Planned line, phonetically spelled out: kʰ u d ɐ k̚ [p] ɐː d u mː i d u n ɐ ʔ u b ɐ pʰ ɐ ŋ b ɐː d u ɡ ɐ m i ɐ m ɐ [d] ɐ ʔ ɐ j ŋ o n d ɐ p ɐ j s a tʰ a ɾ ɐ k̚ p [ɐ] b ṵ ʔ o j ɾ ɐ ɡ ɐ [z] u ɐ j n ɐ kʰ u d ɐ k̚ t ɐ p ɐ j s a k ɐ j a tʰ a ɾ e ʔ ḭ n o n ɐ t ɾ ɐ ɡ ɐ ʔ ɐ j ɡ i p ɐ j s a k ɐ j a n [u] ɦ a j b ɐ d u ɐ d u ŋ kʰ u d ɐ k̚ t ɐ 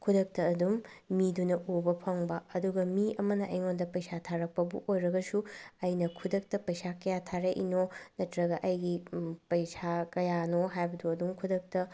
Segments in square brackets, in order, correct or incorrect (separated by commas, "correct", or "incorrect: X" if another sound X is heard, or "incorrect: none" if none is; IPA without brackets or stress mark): incorrect: t, incorrect: n, correct, incorrect: s, incorrect: o